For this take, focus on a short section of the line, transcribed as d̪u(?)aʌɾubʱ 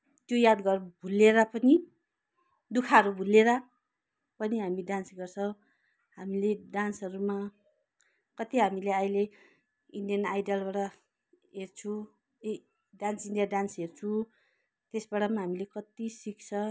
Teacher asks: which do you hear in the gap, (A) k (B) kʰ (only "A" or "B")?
B